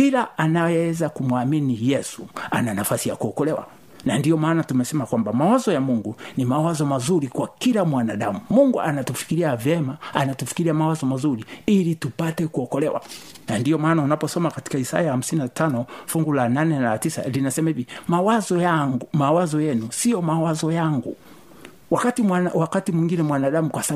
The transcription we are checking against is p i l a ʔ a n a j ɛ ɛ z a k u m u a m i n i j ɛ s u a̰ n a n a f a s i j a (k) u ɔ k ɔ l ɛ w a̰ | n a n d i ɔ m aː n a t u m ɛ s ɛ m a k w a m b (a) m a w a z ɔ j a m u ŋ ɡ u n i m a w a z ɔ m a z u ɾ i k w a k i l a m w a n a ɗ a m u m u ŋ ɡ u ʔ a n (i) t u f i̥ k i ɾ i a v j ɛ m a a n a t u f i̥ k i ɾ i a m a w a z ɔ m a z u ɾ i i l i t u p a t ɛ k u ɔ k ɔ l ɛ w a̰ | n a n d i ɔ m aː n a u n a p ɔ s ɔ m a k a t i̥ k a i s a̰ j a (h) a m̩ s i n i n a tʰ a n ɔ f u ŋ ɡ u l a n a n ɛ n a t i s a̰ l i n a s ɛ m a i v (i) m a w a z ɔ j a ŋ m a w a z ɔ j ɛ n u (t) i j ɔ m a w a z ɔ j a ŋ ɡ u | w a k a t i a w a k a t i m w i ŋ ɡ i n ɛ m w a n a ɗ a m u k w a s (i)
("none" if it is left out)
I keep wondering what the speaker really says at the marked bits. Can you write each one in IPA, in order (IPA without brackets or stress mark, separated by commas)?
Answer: k, a, a, h, i, s, a